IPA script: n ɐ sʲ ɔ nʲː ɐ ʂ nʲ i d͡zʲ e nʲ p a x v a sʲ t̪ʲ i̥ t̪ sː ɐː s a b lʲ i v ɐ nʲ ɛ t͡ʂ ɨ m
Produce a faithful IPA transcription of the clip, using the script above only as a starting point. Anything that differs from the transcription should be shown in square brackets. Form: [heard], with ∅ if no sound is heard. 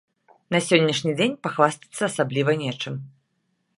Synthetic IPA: n ɐ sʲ ɔ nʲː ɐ ʂ nʲ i d͡zʲ e nʲ p a x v a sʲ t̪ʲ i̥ t̪ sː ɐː s a b lʲ i v ɐ nʲ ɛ t͡ʂ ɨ m